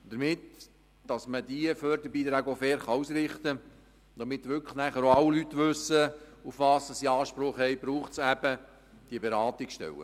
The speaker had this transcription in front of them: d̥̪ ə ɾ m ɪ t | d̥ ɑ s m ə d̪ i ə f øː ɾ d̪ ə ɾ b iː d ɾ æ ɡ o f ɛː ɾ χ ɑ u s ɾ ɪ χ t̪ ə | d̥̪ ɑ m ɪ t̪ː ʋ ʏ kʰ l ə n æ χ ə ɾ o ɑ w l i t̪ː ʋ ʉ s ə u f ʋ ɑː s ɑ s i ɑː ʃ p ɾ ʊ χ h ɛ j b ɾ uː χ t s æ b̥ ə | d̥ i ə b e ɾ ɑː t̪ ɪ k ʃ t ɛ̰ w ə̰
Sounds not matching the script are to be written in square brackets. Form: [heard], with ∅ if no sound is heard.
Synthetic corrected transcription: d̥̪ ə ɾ m ɪ t | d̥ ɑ s m ə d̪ i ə f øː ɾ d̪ ə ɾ b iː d ɾ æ ɡ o f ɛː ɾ χ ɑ u s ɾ ɪ χ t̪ ə | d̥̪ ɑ m ɪ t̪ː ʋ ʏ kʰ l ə n æ χ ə ɾ o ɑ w l [y] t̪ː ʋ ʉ s ə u f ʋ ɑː s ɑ s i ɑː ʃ p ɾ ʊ χ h ɛ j b ɾ uː χ t s æ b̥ ə | d̥ i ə b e ɾ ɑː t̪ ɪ k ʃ t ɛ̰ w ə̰

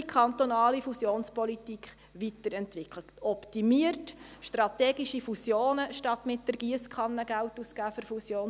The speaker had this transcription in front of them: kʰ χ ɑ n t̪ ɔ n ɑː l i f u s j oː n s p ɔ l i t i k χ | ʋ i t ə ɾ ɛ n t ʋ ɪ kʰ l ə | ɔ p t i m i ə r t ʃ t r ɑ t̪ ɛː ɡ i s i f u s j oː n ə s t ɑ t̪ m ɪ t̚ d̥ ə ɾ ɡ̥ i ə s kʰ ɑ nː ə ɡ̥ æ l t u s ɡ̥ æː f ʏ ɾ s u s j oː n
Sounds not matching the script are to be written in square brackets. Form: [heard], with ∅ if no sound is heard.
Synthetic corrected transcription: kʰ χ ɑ n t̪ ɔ n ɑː l i f u s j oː n s p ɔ l i t i k χ | ʋ i t ə ɾ ɛ n t ʋ ɪ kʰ l ə | ɔ p t i m i ə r t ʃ t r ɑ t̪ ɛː ɡ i [ʃ] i f u s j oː n ə [ʃ] t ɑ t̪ m ɪ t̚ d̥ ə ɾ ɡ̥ i ə s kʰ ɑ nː ə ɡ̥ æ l t u s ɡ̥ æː f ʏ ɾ [f] u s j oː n

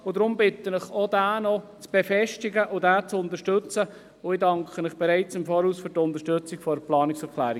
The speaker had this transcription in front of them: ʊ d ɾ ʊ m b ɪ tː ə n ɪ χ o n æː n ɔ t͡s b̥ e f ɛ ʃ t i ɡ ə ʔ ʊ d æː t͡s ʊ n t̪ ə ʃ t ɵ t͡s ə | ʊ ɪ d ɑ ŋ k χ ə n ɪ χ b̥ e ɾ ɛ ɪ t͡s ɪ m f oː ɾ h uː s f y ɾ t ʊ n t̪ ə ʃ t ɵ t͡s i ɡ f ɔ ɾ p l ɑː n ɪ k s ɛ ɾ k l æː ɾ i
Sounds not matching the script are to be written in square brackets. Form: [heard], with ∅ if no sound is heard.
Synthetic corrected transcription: ʊ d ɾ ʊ m b ɪ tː ə n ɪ χ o [d] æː n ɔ t͡s b̥ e f ɛ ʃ t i ɡ ə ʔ ʊ d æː t͡s ʊ n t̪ ə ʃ t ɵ t͡s ə | ʊ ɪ d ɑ ŋ k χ ə n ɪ χ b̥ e ɾ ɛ ɪ t͡s ɪ m f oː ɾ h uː s f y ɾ t ʊ n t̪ ə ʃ t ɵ t͡s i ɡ f ɔ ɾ p l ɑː n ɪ k s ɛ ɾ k l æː ɾ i

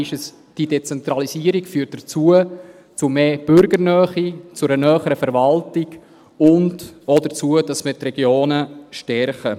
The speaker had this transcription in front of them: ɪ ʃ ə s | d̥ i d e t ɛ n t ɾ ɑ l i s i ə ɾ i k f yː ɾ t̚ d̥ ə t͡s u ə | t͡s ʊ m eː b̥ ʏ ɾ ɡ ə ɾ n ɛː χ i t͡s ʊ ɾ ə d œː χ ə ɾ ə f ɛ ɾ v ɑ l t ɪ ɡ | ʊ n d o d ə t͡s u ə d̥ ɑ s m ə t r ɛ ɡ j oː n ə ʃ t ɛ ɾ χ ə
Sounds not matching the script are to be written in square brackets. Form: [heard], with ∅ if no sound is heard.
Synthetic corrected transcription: ɪ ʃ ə s | d̥ i d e [t͡s] ɛ n t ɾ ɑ l i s i ə ɾ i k f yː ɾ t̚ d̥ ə t͡s u ə | t͡s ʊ m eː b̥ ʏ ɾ ɡ ə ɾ n [œː] χ i t͡s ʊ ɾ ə [n] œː χ ə ɾ ə f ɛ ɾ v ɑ l t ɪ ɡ | ʊ n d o d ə t͡s u ə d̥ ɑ s m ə t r ɛ ɡ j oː n ə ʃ t ɛ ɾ χ ə

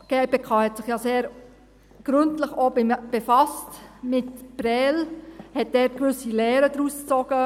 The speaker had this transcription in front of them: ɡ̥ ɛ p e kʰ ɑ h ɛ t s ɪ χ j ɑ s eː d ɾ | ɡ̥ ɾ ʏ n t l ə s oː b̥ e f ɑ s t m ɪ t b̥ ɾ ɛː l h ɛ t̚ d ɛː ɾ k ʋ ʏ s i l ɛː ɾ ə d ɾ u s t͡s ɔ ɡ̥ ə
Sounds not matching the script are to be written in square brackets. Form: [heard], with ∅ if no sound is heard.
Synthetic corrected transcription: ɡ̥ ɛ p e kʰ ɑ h ɛ t s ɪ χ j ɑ s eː [∅] ɾ | ɡ̥ ɾ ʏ n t l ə [χ] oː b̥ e f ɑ s t m ɪ t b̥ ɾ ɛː l h ɛ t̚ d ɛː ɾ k ʋ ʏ s i l ɛː ɾ ə d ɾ u s t͡s ɔ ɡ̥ ə

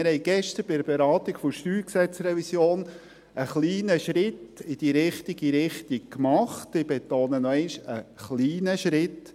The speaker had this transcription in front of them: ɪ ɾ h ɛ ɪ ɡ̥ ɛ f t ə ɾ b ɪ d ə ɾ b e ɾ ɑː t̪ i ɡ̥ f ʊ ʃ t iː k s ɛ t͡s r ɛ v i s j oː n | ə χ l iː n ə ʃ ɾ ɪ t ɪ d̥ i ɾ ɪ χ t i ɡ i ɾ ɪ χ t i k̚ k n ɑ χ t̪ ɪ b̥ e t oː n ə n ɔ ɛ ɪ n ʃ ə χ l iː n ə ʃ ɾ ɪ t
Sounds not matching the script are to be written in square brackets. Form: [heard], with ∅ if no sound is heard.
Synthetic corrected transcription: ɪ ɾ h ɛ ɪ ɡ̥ ɛ [ʃ] t ə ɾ b ɪ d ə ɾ b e ɾ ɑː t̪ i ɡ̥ f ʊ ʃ t [yː] k s ɛ t͡s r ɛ v i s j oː n | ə χ l iː n ə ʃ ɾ ɪ t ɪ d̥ i ɾ ɪ χ t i ɡ i ɾ ɪ χ t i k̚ k [m] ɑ χ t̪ ɪ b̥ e t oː n ə n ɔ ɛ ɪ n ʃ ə χ l iː n ə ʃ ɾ ɪ t

